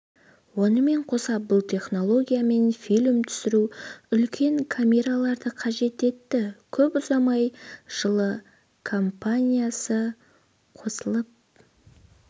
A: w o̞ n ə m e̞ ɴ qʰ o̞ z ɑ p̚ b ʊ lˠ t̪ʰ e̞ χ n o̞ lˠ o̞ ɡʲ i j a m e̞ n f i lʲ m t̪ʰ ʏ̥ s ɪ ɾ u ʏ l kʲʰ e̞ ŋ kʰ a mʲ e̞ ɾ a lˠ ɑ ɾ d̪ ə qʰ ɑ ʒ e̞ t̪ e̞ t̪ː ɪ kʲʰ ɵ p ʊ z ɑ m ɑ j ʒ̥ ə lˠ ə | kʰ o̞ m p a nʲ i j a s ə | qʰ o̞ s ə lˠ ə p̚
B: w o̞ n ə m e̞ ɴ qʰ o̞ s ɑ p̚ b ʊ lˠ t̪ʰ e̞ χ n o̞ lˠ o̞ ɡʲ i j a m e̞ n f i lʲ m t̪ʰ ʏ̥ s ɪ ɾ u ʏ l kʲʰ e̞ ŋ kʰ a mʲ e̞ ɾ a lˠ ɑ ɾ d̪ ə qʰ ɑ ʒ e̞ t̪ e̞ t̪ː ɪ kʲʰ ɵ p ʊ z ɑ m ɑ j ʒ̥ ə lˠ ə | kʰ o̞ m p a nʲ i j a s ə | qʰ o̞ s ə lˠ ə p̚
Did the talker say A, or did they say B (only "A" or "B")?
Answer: B